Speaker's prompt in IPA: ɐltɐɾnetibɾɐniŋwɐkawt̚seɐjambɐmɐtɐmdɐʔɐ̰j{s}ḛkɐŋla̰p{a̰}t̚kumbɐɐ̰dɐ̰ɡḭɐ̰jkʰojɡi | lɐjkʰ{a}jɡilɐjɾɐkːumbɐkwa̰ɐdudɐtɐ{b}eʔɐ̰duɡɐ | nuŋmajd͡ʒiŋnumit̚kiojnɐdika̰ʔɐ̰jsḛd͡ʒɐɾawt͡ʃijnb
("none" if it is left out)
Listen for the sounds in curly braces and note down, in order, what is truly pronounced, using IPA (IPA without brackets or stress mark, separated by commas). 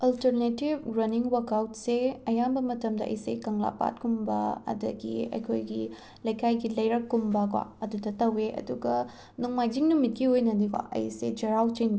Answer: s, a̰, a, w